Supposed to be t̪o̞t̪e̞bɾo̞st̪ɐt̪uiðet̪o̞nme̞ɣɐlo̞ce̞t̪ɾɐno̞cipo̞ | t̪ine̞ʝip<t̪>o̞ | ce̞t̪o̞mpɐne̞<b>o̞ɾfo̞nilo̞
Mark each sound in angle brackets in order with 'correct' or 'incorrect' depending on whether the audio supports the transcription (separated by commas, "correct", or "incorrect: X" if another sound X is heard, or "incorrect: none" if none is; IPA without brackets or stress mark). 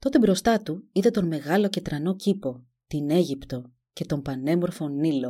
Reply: correct, incorrect: m